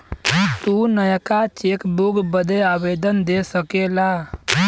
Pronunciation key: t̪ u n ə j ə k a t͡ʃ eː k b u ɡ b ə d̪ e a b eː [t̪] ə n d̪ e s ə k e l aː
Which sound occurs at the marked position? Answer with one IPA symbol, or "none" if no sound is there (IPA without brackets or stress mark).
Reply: d̪